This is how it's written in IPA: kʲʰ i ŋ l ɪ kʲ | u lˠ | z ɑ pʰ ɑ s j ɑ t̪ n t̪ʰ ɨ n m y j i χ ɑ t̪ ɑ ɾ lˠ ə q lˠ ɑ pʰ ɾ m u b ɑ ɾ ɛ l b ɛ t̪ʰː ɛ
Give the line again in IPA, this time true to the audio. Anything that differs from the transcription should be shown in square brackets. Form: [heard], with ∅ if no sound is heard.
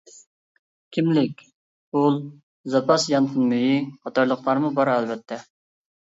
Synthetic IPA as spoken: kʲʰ i [m] l ɪ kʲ | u lˠ | z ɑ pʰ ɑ s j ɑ [∅] n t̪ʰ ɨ n m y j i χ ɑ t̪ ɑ ɾ lˠ ə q lˠ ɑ [∅] ɾ m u b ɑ ɾ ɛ l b ɛ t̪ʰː ɛ